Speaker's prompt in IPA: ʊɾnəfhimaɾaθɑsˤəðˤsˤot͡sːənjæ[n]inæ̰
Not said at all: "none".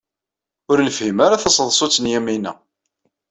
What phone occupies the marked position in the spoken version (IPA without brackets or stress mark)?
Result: m